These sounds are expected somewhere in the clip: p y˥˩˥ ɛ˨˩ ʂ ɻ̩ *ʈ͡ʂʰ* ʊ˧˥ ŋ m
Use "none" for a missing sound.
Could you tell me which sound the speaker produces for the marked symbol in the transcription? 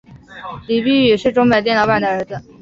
ʈ͡ʂ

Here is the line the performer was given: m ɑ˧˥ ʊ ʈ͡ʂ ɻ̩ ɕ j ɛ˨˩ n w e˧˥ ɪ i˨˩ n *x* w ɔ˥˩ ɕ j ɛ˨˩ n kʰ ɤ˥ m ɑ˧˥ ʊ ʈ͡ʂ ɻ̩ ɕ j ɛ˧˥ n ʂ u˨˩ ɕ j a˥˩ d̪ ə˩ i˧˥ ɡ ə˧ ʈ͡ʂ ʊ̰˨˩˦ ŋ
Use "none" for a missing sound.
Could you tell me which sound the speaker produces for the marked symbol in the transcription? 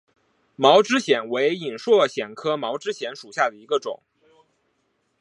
ʂ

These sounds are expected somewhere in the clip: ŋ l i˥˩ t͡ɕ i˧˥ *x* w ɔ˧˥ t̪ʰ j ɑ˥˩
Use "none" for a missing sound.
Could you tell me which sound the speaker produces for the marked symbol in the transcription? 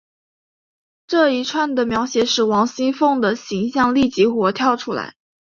x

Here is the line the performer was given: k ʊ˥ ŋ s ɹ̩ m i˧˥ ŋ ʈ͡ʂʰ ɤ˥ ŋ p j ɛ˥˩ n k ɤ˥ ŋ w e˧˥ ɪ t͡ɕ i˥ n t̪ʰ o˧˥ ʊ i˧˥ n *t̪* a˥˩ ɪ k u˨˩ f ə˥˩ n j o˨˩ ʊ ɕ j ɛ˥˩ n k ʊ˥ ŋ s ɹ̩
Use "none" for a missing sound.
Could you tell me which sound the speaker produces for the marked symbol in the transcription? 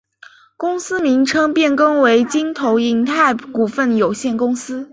t̪ʰ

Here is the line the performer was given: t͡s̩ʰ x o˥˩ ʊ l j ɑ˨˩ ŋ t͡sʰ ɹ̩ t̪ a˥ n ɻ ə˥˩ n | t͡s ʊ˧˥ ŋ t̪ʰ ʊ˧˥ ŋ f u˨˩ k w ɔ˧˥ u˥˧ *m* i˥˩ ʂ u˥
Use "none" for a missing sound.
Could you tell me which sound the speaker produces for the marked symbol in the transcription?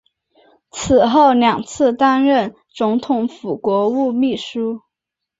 m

